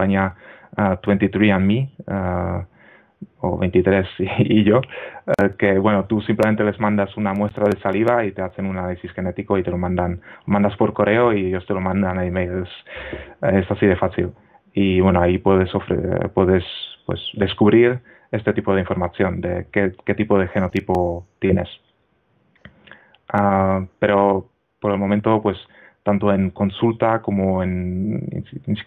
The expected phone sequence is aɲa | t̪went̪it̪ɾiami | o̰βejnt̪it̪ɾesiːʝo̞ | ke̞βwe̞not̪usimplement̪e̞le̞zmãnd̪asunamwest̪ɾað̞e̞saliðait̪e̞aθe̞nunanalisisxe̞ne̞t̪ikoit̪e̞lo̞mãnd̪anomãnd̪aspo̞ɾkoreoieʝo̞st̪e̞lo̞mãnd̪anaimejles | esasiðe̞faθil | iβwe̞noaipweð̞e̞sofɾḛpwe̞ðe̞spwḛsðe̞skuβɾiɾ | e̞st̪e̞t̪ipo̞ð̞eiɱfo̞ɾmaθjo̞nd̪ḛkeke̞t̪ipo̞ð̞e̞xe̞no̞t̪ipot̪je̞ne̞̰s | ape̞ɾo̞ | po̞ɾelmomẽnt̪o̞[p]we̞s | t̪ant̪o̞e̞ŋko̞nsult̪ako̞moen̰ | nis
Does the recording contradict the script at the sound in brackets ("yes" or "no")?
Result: no